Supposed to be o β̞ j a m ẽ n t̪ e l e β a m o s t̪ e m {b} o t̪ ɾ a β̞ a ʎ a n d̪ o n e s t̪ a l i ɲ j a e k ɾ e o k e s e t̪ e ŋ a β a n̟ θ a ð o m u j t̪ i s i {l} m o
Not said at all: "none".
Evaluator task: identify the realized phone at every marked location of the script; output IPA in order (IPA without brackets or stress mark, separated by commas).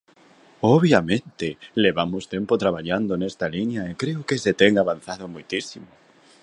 p, none